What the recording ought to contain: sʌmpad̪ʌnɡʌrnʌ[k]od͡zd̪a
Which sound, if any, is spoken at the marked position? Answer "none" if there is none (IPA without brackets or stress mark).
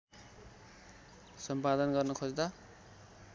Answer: kʰ